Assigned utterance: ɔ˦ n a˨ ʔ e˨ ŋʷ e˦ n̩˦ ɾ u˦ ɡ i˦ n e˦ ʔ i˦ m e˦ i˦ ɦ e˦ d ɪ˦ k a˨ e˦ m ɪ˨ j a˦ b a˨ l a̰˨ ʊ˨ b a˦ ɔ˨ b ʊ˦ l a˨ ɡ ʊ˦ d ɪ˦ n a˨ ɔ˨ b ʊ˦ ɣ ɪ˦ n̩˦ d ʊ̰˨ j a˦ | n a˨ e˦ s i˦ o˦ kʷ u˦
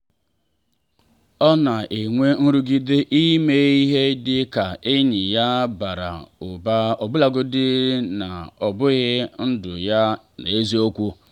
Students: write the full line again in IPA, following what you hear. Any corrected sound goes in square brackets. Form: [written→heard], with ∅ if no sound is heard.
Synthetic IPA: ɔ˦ n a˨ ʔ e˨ ŋʷ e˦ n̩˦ ɾ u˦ ɡ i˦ [n→d] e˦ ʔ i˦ m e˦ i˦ ɦ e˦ d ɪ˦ k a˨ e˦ [m→ɲ] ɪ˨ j a˦ b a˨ [l→ɾ] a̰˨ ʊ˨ b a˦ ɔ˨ b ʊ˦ l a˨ ɡ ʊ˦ d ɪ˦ n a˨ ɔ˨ b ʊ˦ ɣ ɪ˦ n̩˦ d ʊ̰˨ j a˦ | n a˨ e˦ [s→z] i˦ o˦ kʷ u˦